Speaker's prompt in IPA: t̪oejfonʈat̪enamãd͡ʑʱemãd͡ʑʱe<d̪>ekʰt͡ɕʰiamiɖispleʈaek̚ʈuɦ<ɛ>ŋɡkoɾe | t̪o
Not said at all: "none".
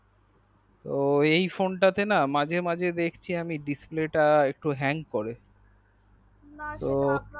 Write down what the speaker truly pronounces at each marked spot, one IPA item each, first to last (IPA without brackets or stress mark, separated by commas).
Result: d̪, ɛ